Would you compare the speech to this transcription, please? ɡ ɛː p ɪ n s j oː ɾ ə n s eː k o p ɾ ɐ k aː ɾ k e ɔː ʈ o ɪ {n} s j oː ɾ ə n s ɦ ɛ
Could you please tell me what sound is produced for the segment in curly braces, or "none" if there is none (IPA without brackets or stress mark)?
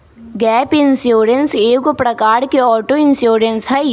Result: n